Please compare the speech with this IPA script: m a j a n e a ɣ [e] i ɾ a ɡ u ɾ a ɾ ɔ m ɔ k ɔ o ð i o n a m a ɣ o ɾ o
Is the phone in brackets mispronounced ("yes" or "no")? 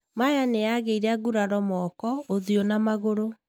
no